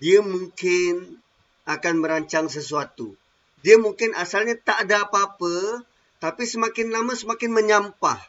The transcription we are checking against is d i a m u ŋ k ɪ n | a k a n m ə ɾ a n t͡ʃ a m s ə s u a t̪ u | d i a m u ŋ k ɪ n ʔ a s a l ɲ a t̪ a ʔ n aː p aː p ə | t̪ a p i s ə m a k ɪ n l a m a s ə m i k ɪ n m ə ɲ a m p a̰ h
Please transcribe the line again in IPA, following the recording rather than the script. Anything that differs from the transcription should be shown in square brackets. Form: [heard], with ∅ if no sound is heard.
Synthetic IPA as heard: d i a m u ŋ k ɪ n | a k a n m ə ɾ a [ɲ] t͡ʃ a [ŋ] s ə s u a t̪ u | d i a m u ŋ k ɪ n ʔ a s a l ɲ a t̪ a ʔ [d] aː p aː p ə | t̪ a p i s ə m a k ɪ n l a m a s ə m [a] k ɪ n m ə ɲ a m p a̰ h